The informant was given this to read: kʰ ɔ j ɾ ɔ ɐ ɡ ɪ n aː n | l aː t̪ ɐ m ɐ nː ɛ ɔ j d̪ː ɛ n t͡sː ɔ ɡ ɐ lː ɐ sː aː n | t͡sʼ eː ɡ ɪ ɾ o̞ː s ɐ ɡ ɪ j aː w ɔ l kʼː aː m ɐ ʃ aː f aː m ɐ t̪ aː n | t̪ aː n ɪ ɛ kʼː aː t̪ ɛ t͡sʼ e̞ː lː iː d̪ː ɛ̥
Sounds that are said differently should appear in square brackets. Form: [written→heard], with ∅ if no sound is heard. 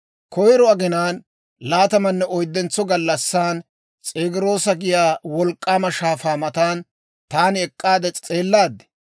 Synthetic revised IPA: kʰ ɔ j ɾ ɔ ɐ ɡ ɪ n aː n | l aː t̪ ɐ m ɐ nː ɛ ɔ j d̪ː ɛ n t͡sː ɔ ɡ ɐ lː ɐ sː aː n | t͡sʼ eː ɡ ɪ ɾ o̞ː s ɐ ɡ ɪ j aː w ɔ l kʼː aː m ɐ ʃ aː f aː m ɐ t̪ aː n | t̪ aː n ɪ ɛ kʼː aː [t̪→d̪] ɛ t͡sʼ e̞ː lː [iː→aː] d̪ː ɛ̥